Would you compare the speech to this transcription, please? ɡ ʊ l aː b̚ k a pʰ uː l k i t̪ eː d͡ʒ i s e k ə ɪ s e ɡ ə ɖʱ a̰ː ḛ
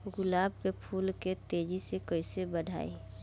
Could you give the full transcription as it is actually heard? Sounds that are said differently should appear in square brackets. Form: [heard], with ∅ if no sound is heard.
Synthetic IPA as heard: ɡ ʊ l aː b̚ k [e] pʰ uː l k [e] t̪ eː d͡ʒ i s e k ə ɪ s e [b] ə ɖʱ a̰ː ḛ